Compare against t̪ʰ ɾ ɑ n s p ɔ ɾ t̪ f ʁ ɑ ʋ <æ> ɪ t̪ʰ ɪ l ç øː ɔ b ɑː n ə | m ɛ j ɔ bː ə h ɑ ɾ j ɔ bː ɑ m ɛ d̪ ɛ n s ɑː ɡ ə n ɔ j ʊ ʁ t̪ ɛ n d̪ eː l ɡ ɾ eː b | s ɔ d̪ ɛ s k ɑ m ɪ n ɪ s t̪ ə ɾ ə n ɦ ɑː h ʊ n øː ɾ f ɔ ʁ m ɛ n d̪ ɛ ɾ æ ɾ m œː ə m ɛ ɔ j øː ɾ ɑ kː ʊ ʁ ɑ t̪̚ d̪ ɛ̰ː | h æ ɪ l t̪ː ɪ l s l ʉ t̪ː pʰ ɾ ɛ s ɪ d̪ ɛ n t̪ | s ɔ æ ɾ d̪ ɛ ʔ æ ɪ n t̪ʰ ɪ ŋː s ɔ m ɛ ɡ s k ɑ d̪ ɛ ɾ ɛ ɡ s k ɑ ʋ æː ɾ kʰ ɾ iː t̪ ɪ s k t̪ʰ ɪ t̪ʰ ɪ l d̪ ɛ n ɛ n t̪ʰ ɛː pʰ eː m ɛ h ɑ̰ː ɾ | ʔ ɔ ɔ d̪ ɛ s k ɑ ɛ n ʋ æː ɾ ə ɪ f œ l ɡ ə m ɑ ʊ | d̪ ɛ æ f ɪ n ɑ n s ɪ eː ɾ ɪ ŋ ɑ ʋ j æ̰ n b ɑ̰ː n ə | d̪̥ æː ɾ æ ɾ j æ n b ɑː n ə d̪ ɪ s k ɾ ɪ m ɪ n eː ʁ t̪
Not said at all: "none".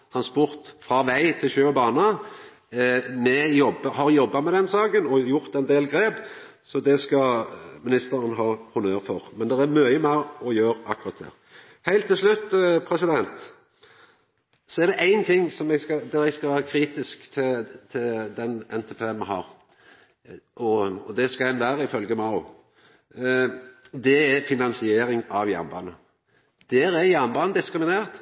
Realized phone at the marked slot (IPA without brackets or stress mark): æ